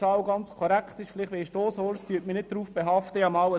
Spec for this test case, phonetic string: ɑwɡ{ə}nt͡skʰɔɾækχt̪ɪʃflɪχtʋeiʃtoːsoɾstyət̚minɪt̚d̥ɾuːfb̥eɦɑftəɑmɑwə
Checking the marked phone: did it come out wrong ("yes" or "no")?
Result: yes